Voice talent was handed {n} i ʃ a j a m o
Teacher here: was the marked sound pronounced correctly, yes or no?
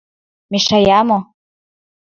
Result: no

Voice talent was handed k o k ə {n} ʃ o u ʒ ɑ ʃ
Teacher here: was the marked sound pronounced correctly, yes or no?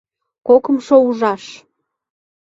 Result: no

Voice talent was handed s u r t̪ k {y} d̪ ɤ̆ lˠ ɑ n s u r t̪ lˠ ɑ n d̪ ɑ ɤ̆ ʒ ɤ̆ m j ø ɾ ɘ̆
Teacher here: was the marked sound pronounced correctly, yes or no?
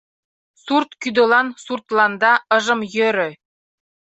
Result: yes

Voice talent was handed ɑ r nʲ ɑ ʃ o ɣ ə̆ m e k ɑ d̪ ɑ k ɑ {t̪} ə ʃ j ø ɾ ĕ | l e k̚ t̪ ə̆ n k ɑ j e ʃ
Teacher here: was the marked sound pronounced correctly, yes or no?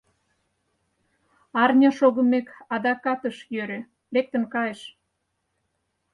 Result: yes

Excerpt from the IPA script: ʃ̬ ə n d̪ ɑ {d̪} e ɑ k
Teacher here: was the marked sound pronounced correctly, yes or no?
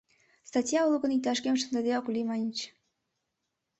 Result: yes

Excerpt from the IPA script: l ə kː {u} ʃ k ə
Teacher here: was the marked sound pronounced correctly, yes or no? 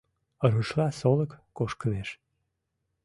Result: no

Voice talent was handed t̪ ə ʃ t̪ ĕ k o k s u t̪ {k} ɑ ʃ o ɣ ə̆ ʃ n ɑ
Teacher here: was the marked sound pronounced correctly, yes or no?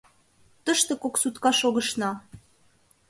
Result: yes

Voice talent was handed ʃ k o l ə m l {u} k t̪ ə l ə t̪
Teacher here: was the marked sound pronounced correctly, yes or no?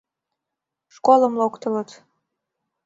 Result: no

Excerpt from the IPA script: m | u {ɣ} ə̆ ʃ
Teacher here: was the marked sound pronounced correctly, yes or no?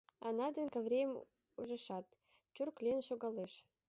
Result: no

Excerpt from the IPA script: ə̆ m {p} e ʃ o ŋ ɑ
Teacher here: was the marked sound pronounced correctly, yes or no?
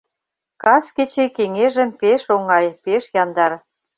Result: yes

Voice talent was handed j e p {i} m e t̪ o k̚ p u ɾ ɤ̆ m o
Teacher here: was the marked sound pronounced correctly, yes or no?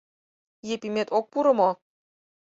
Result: yes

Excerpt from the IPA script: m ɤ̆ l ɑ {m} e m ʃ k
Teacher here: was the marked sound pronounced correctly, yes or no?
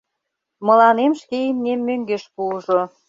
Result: no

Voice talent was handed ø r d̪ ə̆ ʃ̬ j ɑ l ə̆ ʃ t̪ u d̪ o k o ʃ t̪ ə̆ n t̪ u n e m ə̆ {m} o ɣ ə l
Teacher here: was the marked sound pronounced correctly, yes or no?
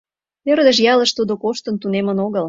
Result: no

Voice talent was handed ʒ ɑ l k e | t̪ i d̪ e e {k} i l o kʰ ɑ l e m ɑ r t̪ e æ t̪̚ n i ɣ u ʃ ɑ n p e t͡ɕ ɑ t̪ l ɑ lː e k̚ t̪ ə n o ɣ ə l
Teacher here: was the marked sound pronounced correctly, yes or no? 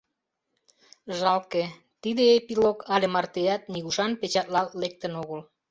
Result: no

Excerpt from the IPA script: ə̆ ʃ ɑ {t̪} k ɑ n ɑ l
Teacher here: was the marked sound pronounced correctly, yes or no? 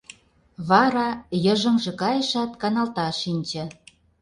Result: yes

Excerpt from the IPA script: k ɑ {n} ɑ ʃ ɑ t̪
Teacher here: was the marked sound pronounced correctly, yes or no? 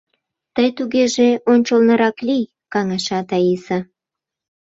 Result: no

